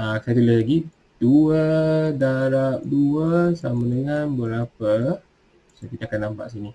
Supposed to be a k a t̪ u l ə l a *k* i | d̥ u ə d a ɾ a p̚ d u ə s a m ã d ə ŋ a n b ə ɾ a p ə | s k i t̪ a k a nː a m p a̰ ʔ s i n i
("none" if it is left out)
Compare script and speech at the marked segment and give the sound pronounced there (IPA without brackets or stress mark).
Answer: ɡ